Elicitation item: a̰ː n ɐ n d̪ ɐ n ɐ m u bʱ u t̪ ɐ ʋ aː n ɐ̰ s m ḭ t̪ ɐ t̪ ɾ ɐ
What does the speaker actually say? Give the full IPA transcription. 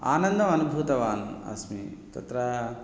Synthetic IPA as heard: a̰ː n ɐ n d̪ ɐ m ɐ n u bʱ u t̪ ɐ ʋ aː n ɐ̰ s m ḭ t̪ ɐ t̪ ɾ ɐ